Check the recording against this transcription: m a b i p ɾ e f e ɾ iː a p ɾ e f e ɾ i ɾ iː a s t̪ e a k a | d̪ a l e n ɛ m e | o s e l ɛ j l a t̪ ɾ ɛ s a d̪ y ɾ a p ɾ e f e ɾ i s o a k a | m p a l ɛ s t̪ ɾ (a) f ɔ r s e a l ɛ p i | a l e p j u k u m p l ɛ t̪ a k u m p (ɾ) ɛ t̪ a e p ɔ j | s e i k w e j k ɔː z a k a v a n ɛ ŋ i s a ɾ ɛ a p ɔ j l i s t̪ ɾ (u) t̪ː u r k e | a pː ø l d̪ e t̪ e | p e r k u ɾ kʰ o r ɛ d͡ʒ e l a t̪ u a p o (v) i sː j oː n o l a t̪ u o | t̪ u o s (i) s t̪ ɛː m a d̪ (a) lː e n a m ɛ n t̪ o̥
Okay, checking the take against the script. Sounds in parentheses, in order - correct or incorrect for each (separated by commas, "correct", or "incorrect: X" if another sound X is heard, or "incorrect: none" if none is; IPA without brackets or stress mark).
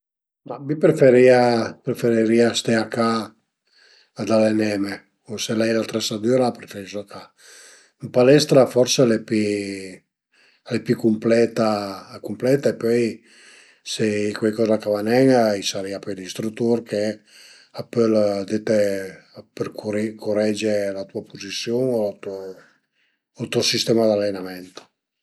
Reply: correct, incorrect: l, correct, incorrect: z, correct, correct